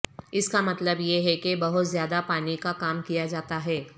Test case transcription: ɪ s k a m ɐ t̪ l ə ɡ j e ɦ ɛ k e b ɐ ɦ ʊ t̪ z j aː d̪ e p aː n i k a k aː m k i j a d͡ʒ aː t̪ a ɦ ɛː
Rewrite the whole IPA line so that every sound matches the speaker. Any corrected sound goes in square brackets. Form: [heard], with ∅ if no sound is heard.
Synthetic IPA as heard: ɪ s k a m ɐ t̪ l ə [b] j e ɦ ɛ k e b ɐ ɦ ʊ t̪ z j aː d̪ [a] p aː n i k a k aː m k i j a d͡ʒ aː t̪ a ɦ ɛː